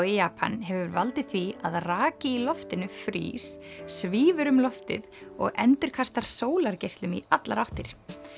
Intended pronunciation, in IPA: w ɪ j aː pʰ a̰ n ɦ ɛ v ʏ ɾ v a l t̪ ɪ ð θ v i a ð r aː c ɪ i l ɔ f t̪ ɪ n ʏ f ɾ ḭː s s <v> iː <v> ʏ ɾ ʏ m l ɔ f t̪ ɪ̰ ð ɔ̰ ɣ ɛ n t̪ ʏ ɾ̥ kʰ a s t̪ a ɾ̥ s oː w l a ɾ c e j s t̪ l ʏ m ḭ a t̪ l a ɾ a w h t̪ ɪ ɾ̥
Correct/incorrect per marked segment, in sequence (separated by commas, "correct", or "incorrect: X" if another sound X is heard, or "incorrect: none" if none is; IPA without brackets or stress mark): correct, correct